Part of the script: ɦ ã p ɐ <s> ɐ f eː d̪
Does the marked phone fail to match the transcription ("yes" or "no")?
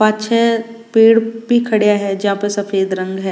no